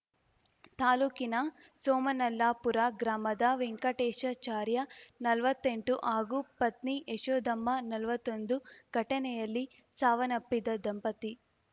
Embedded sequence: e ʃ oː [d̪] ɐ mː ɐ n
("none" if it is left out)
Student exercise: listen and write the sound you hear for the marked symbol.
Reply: d̪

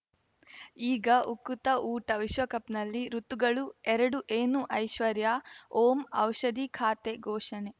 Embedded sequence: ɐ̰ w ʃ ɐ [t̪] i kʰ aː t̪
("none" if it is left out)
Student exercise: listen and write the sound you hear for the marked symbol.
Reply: d̪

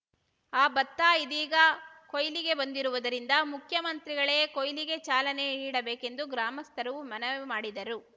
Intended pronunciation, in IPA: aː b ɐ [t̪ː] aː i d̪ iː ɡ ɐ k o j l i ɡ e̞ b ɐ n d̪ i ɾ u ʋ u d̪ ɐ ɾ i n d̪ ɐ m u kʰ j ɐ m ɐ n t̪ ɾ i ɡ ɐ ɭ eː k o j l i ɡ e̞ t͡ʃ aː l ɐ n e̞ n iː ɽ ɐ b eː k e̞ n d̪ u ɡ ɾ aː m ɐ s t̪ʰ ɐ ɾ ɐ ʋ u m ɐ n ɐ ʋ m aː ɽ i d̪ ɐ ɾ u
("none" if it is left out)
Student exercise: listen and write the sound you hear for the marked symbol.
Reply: t̪ː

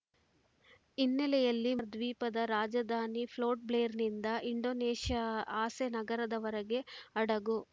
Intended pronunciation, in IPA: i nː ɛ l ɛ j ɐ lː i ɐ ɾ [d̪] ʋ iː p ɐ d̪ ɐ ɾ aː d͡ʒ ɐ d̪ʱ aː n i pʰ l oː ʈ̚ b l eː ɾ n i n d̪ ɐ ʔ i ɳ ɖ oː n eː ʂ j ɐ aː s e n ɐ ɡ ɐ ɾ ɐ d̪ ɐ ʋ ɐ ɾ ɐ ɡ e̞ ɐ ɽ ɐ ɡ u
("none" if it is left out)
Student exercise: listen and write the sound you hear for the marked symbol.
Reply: d̪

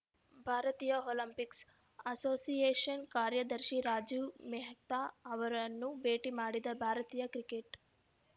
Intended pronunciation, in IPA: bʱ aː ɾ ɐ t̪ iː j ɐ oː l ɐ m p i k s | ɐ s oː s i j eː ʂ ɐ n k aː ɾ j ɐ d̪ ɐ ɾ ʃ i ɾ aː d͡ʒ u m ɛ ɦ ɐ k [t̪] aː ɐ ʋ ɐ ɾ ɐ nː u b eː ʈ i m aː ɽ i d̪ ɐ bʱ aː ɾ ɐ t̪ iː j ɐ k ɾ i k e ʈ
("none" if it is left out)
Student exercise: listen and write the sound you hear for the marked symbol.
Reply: t̪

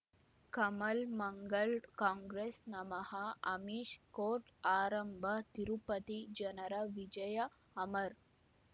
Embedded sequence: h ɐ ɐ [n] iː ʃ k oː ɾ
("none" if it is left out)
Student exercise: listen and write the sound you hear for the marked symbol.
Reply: m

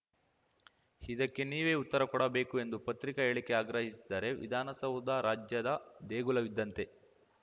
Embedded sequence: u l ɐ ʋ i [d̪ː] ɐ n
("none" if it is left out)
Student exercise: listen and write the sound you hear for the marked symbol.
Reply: d̪ː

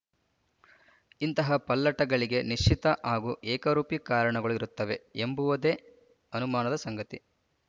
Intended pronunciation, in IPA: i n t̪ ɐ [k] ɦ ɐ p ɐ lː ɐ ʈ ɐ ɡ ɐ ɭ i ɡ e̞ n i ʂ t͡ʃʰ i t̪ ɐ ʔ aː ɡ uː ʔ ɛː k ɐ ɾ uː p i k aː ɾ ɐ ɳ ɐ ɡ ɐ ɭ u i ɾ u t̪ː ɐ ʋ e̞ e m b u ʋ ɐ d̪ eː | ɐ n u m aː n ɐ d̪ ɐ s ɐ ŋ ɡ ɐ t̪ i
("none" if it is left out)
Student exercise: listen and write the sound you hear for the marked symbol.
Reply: none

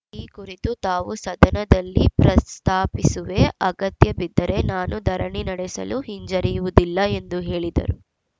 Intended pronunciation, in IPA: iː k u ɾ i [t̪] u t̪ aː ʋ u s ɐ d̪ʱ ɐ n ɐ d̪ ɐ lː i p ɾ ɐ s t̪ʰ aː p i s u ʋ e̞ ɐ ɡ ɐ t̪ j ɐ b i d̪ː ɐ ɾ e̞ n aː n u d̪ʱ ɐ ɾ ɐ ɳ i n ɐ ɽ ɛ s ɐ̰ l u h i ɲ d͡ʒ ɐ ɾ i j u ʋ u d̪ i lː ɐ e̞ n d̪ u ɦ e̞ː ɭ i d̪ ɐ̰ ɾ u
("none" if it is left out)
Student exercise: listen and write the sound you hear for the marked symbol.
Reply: t̪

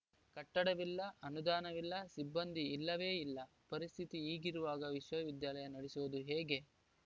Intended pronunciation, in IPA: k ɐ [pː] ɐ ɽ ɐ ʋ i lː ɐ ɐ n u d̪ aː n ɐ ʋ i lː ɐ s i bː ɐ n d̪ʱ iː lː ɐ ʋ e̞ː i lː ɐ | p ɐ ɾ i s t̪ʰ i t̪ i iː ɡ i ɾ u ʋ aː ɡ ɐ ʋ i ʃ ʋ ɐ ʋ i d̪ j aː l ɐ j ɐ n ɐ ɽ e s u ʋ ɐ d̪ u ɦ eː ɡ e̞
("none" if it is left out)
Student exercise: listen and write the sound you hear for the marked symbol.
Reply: ʈː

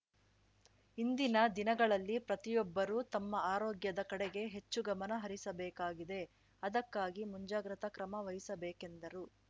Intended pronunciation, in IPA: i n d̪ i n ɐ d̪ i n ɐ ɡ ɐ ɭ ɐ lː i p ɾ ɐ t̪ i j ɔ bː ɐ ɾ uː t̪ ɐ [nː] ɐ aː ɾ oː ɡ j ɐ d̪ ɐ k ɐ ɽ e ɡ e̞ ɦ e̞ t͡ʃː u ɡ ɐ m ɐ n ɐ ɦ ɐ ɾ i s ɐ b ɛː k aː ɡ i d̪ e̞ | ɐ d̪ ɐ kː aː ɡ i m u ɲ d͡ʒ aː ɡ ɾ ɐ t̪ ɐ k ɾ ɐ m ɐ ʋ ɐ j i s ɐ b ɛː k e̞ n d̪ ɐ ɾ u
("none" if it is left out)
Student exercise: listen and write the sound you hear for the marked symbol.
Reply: mː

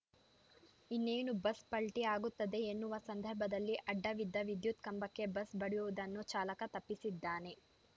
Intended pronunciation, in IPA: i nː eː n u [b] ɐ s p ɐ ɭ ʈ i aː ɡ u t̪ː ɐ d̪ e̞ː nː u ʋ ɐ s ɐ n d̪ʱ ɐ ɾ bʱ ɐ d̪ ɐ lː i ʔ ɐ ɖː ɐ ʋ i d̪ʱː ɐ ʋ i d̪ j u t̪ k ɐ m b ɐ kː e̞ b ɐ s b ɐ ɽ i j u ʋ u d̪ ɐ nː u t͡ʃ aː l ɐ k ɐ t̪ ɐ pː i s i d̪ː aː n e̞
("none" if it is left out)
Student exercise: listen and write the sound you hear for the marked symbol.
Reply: b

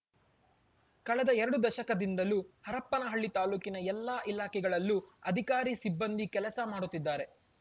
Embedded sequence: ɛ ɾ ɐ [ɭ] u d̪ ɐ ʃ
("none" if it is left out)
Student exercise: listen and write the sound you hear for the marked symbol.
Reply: ɽ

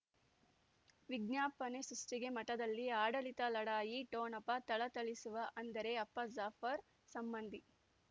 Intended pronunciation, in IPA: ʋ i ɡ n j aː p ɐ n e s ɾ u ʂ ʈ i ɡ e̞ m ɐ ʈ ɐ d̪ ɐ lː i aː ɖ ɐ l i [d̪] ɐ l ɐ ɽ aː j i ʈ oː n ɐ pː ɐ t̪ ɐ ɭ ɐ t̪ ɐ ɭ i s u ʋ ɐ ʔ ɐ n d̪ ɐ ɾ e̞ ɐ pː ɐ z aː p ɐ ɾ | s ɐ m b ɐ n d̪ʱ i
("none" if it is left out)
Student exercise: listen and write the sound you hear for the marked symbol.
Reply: t̪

